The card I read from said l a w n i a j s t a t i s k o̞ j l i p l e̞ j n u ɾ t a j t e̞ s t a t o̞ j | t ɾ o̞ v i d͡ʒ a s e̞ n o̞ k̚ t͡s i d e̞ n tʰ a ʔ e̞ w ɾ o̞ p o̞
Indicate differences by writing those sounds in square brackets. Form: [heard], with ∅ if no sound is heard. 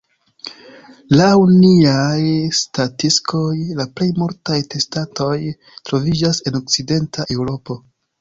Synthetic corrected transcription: l a w n i a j s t a t i s k o̞ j l [a] p l e̞ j [m] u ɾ t a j t e̞ s t a t o̞ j | t ɾ o̞ v i d͡ʒ a s e̞ n o̞ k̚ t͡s i d e̞ n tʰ a ʔ e̞ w ɾ o̞ p o̞